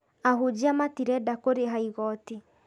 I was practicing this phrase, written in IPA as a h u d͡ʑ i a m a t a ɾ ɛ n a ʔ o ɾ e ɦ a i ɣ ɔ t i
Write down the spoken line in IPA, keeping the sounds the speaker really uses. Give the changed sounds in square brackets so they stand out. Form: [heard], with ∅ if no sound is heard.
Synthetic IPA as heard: a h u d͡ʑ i a m a t [i] ɾ ɛ [d] a [k] o ɾ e ɦ a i ɣ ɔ t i